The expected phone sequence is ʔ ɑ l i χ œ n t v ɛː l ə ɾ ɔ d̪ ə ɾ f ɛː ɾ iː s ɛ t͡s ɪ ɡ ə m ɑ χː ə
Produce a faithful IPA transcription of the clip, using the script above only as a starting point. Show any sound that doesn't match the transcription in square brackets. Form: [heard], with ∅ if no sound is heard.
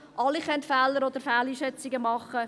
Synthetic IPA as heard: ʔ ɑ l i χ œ n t [f] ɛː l ə ɾ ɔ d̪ ə ɾ f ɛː [l] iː [ʃ] ɛ t͡s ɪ ɡ ə m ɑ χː ə